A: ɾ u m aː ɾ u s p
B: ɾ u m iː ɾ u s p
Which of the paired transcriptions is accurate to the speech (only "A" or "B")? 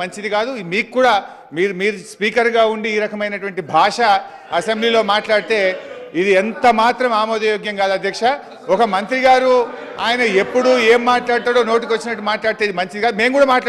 B